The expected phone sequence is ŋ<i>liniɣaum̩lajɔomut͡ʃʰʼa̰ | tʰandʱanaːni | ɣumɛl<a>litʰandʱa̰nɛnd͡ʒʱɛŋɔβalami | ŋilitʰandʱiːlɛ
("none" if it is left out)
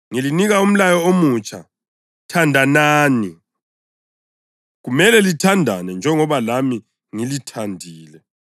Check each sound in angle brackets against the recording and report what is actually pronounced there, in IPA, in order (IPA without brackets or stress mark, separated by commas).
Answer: i, ɛ